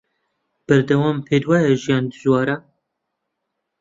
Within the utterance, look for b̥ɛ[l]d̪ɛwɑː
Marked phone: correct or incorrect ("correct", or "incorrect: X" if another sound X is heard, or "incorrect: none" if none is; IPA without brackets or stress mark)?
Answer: incorrect: ɾ